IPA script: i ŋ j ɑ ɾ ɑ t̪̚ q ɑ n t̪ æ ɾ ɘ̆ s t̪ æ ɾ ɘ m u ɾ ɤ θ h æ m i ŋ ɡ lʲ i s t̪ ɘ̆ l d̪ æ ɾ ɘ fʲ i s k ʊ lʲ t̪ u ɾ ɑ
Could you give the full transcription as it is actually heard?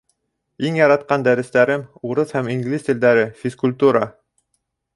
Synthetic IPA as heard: i ŋ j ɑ ɾ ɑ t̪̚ q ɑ n d̪ æ ɾ ɘ̆ s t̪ æ ɾ ɘ m u ɾ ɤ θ h æ m i ŋ ɡ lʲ i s t̪ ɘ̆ l d̪ æ ɾ ɘ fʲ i s k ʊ lʲ t̪ u ɾ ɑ